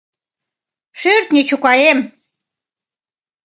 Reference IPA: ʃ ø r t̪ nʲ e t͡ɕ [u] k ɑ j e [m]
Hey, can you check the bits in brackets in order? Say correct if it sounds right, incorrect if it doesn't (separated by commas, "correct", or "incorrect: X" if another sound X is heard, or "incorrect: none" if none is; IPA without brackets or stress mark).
correct, correct